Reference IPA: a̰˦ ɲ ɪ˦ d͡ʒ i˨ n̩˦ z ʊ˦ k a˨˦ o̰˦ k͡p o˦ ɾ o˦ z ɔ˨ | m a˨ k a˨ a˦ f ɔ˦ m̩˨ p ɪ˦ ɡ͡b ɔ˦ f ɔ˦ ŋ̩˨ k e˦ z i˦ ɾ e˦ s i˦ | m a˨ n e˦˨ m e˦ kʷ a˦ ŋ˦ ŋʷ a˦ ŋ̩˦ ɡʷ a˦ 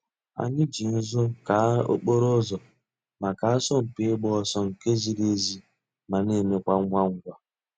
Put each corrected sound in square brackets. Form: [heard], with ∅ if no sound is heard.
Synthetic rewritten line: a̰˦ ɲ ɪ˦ d͡ʒ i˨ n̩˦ z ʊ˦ k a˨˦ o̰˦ k͡p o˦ ɾ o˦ z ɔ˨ | m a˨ k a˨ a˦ [s] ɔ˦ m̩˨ p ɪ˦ ɡ͡b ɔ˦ [s] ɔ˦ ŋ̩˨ k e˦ z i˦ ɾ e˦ [z] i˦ | m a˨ n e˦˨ m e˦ kʷ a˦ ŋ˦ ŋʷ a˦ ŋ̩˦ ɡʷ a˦